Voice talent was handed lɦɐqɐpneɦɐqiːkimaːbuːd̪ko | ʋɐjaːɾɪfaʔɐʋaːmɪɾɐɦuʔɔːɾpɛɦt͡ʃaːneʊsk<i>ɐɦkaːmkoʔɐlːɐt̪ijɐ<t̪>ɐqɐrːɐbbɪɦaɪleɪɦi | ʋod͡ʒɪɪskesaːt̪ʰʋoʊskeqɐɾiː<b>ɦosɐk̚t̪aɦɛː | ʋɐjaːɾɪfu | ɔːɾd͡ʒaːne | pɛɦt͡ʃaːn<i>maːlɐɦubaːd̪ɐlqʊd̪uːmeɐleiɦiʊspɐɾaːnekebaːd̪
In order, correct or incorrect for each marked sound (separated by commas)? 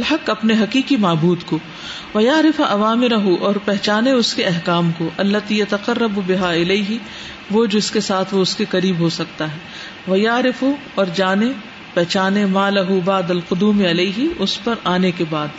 incorrect, correct, correct, incorrect